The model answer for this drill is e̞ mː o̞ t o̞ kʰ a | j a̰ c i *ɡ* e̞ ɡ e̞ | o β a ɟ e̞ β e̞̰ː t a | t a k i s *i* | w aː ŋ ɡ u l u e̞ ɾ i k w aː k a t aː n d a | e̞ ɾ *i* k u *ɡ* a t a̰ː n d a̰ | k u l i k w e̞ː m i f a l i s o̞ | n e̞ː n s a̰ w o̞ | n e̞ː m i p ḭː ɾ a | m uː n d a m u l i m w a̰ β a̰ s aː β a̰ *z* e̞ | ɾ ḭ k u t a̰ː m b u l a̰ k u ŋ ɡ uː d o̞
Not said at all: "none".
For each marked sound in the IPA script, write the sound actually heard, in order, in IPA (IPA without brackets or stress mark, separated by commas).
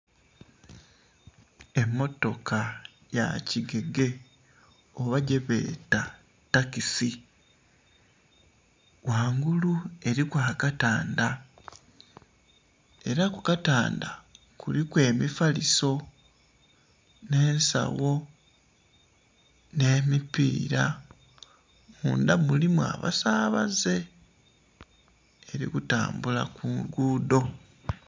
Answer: ɡ, i, a, k, z